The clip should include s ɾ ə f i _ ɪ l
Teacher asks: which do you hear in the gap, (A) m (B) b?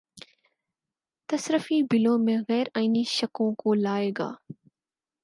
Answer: B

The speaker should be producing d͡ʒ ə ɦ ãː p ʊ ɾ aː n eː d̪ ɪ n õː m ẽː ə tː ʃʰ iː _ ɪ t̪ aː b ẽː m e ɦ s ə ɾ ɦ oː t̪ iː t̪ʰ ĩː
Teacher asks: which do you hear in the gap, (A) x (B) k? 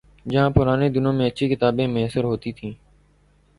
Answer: B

